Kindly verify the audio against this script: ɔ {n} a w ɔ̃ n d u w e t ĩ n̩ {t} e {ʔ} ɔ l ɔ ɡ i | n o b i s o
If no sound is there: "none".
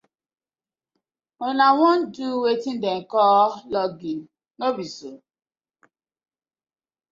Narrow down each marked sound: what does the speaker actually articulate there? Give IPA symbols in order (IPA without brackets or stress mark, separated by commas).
n, d, k